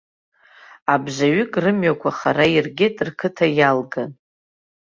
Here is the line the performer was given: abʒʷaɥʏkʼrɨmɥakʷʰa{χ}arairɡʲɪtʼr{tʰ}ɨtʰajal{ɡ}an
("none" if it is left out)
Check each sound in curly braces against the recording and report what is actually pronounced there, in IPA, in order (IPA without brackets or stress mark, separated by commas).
χ, kʰ, ɡ